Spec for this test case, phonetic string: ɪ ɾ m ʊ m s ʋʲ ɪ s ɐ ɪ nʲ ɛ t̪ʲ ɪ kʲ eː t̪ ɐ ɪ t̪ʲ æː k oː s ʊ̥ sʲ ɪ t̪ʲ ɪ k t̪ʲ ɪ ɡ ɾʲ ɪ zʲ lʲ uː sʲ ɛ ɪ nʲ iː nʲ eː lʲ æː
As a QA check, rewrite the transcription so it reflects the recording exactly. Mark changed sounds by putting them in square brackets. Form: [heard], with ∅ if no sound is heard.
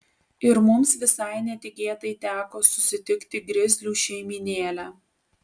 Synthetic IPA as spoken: ɪ ɾ m ʊ m s ʋʲ ɪ s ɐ ɪ nʲ ɛ t̪ʲ ɪ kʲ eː t̪ ɐ ɪ t̪ʲ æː k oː s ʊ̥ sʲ ɪ t̪ʲ ɪ k t̪ʲ ɪ ɡ ɾʲ ɪ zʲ lʲ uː [ʃʲ] ɛ ɪ [mʲ] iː nʲ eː lʲ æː